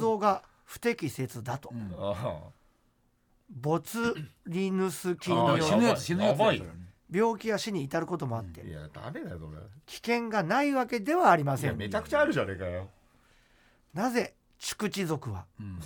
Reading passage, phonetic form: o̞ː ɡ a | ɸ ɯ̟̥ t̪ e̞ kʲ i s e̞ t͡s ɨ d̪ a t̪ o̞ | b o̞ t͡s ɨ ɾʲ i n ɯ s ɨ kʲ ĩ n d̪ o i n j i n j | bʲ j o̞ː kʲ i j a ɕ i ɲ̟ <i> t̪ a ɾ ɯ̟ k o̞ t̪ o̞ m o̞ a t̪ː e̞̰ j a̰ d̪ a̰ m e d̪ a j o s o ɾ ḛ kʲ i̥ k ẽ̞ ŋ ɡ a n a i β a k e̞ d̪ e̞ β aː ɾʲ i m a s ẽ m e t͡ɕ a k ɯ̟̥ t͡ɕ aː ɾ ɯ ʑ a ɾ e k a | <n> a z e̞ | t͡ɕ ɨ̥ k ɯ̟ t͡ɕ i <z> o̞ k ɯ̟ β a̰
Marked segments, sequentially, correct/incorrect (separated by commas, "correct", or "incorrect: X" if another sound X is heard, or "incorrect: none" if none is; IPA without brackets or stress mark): incorrect: iː, correct, correct